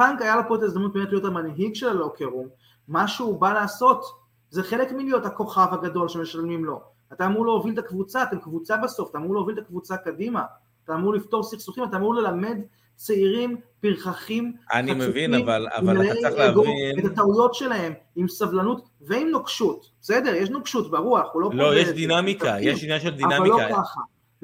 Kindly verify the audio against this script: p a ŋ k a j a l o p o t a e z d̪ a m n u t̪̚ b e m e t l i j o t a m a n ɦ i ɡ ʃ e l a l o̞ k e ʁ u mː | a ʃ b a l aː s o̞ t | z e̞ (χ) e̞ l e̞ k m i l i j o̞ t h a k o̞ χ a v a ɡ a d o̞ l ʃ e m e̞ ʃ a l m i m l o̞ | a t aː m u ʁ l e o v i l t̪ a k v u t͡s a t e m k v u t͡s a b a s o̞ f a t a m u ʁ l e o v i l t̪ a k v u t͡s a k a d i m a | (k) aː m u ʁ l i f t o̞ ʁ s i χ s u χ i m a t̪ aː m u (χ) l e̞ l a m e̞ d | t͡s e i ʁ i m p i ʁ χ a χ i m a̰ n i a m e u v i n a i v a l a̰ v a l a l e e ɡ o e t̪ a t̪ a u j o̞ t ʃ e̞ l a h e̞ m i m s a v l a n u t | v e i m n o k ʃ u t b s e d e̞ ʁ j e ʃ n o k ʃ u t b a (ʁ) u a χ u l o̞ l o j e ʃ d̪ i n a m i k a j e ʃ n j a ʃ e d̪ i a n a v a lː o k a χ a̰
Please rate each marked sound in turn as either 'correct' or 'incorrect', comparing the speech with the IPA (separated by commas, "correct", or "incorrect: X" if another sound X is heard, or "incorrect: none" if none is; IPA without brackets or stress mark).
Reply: correct, incorrect: t, incorrect: ʁ, correct